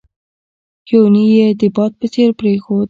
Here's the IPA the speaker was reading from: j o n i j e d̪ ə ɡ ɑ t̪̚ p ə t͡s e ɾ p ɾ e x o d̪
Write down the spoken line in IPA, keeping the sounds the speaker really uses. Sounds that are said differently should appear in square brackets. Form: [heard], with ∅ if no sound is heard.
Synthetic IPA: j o n i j e d̪ ə [b] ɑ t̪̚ p ə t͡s e ɾ p ɾ e x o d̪